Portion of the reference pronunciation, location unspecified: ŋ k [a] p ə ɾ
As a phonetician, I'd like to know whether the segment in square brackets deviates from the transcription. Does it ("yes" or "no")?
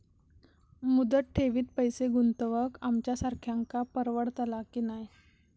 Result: no